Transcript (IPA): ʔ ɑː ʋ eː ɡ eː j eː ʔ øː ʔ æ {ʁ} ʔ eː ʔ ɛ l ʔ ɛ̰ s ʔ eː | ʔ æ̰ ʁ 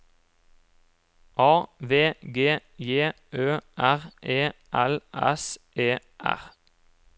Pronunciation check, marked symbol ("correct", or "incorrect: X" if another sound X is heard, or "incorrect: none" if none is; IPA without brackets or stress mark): correct